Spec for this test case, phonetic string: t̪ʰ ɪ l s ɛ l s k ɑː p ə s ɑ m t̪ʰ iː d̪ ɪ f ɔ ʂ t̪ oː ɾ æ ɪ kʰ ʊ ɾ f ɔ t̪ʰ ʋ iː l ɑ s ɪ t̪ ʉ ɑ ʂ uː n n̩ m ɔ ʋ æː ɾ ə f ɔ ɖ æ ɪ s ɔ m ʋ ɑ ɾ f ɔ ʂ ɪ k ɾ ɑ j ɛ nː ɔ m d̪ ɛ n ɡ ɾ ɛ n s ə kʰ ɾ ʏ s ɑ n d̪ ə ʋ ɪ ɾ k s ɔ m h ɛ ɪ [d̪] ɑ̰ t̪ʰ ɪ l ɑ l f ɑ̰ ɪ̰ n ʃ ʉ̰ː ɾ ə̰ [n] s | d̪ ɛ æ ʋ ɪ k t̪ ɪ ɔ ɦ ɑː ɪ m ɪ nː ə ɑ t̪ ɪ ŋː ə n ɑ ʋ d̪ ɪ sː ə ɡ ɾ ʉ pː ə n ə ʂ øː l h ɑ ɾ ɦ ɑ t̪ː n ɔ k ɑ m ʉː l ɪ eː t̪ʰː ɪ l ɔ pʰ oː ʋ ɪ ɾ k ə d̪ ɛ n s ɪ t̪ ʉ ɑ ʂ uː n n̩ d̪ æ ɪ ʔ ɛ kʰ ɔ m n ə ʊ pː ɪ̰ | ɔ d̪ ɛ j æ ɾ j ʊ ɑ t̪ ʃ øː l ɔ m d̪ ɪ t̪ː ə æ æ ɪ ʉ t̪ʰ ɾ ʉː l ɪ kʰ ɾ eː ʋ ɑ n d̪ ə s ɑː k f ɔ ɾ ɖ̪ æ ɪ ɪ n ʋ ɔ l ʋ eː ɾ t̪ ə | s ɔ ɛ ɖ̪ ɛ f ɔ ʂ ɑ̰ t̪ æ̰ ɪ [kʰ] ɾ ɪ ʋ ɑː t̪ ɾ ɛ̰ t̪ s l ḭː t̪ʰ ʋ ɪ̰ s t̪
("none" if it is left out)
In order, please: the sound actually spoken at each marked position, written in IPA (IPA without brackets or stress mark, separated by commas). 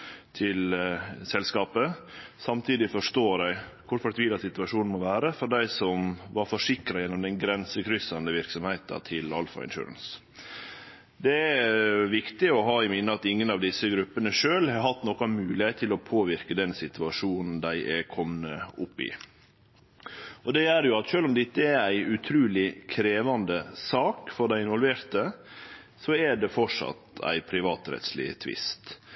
t̪, n, pʰ